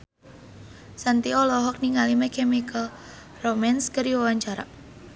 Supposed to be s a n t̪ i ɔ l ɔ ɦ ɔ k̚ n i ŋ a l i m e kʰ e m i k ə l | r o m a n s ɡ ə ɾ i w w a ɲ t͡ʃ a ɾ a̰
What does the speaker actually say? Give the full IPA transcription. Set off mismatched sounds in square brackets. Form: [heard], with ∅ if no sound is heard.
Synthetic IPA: s a n t̪ i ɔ l ɔ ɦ ɔ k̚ n i ŋ a l i m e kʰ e m i k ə l | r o m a n s [k] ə ɾ i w w a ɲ t͡ʃ a ɾ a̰